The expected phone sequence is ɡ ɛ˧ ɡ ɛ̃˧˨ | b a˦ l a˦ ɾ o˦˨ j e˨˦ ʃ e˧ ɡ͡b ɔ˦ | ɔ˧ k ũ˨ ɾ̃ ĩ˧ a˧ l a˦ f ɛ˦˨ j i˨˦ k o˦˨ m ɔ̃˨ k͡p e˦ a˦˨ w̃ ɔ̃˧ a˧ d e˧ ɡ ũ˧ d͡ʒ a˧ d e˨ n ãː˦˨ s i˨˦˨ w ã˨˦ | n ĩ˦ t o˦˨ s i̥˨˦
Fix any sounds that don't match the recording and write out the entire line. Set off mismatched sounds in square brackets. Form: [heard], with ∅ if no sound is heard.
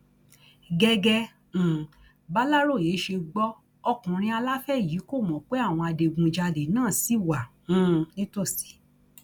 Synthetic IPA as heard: ɡ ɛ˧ ɡ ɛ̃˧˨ | b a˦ l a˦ ɾ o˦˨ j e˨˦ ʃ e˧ ɡ͡b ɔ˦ | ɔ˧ k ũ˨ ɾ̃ ĩ˧ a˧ l a˦ f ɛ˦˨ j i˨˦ k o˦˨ m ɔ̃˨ k͡p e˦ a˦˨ w̃ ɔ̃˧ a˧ d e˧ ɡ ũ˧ d͡ʒ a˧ d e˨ n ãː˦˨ s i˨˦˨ w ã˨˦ | n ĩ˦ t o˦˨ s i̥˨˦